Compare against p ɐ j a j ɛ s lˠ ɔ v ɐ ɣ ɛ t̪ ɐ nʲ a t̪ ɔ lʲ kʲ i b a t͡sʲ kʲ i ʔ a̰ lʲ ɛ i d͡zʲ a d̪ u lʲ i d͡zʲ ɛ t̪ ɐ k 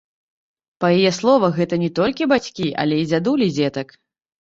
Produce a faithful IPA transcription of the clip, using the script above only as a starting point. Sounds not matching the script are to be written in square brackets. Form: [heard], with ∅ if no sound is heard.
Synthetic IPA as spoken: p ɐ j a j ɛ s lˠ ɔ v ɐ ɣ ɛ t̪ ɐ nʲ [ɛ] t̪ ɔ lʲ kʲ i b a t͡sʲ kʲ i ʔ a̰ lʲ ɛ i d͡zʲ a d̪ u lʲ i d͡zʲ ɛ t̪ ɐ k